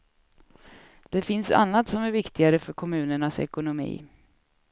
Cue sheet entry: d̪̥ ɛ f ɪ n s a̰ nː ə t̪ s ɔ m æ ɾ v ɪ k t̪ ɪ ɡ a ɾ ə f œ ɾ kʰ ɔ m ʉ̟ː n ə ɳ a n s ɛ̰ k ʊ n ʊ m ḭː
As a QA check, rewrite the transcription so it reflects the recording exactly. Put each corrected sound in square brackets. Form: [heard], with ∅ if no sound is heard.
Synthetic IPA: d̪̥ ɛ f ɪ n s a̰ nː [a] t̪ s ɔ m æ ɾ v ɪ k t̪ ɪ ɡ a ɾ ə f œ ɾ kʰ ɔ m ʉ̟ː n ə ɳ a [∅] s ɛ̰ k ʊ n ʊ m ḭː